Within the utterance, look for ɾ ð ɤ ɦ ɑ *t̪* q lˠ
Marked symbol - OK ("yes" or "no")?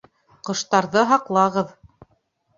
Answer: no